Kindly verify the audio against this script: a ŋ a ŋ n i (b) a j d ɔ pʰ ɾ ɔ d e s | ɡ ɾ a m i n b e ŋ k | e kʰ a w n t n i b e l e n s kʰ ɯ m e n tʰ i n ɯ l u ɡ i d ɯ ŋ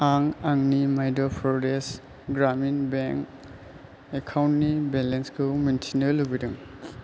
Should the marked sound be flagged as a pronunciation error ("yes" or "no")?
yes